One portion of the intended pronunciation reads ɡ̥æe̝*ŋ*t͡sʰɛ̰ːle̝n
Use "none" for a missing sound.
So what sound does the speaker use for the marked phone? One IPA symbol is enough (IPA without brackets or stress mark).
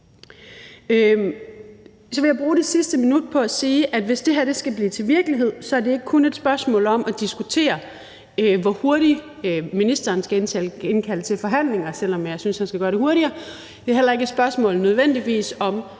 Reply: n